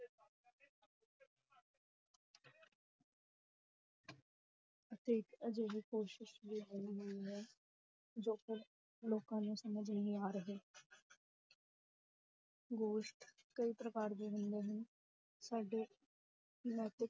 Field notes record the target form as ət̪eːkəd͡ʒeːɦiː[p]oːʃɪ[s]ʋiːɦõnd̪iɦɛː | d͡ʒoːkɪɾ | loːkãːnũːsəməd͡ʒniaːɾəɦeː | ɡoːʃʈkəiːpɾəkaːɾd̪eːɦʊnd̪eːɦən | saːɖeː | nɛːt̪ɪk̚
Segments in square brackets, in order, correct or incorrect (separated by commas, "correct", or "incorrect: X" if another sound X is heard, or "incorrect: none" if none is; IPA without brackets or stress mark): incorrect: k, incorrect: ʃ